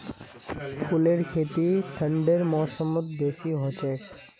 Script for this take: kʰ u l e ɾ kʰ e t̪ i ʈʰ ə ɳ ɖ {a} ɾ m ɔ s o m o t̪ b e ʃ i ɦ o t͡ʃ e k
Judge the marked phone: incorrect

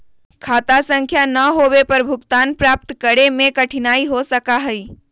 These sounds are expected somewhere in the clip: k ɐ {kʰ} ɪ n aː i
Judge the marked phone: incorrect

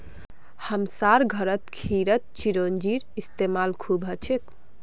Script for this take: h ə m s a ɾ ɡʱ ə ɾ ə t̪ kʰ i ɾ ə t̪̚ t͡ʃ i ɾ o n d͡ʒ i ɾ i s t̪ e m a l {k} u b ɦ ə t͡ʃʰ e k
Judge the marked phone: incorrect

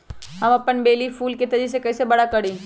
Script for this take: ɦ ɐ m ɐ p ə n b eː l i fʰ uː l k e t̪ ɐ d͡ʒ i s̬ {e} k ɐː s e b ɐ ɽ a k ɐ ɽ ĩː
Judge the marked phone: correct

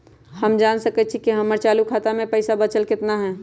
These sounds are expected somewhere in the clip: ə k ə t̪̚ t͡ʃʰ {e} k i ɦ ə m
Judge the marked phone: incorrect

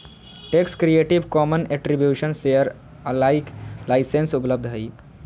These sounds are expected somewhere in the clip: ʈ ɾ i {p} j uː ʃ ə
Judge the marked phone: incorrect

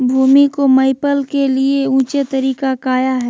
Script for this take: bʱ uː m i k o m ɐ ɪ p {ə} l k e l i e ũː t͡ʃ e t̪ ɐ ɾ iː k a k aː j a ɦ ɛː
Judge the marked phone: correct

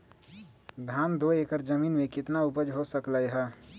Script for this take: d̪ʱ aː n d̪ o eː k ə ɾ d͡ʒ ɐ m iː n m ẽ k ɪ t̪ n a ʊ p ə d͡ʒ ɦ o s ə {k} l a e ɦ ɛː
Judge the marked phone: correct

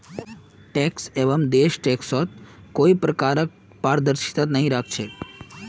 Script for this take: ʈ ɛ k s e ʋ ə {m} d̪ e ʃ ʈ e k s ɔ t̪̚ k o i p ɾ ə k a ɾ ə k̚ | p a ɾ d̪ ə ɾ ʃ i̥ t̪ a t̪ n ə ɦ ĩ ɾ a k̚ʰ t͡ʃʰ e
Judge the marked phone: correct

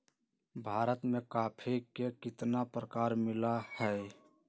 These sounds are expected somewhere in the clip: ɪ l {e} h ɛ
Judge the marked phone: incorrect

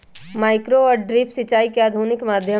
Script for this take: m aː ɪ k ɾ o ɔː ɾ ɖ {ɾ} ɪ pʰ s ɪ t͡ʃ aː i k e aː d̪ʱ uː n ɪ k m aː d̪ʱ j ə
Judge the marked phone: correct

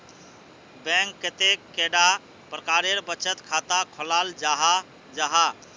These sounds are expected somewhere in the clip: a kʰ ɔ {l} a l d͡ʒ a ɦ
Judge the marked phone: correct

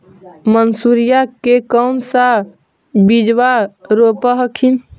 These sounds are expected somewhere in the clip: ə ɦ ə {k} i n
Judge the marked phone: incorrect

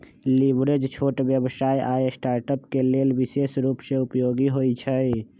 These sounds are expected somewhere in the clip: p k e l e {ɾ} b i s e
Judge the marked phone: incorrect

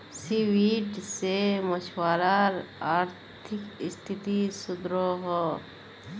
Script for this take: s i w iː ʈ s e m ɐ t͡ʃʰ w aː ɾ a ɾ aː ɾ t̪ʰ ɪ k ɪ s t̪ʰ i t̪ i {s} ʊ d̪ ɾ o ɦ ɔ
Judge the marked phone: correct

